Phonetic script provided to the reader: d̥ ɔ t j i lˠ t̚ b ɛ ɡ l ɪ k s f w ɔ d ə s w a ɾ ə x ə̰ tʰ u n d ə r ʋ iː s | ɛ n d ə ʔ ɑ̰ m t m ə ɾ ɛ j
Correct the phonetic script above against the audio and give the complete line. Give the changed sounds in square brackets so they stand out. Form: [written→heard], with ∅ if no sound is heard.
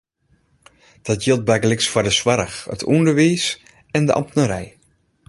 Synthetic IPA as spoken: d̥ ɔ t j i lˠ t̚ b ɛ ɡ l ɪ k s f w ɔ d ə s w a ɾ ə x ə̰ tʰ u n d ə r ʋ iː s | ɛ n d ə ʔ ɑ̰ m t [m→n] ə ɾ ɛ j